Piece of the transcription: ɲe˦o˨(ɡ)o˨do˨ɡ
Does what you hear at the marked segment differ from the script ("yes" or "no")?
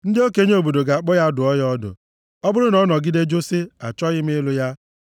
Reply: yes